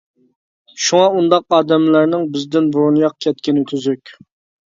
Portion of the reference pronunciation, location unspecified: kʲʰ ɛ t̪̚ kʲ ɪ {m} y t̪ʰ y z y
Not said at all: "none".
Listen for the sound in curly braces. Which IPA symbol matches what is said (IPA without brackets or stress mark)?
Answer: n